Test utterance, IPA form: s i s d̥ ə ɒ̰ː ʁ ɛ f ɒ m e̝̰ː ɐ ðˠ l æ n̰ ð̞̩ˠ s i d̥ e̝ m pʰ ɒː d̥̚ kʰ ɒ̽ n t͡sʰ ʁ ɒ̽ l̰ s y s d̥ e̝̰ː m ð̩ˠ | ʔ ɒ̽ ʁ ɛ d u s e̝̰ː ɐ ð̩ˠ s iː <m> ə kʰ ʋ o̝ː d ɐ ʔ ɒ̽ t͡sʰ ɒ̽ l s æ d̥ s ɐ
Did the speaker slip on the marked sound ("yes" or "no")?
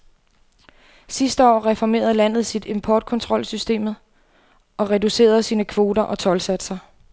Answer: yes